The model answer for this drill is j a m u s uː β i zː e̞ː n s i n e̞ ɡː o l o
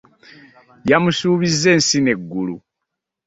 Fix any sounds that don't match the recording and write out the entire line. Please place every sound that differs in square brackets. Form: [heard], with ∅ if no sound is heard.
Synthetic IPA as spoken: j a m u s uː β i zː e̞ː n s i n e̞ ɡː [u] l [u]